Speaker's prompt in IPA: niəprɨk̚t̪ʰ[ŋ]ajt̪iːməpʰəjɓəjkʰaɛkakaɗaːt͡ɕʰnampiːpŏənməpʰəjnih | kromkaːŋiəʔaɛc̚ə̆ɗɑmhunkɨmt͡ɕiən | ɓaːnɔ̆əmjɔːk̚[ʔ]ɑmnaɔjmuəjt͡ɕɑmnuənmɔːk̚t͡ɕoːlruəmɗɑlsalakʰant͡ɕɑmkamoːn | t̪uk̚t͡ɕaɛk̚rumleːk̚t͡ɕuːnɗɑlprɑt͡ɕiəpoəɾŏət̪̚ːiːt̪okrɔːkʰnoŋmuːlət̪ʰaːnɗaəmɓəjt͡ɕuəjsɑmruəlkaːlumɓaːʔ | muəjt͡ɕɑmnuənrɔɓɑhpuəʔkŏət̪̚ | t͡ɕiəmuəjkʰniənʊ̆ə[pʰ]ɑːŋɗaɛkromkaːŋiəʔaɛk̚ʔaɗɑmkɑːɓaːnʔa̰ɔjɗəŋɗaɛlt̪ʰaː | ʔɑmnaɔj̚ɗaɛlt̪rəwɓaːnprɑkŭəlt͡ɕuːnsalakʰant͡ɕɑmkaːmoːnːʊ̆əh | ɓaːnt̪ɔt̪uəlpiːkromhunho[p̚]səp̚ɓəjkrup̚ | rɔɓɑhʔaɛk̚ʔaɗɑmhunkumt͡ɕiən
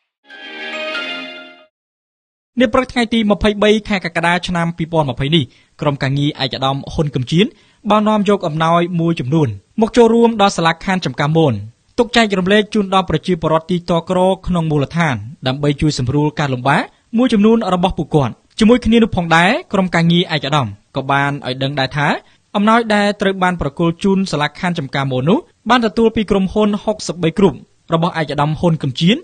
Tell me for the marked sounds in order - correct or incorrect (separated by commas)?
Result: correct, correct, correct, incorrect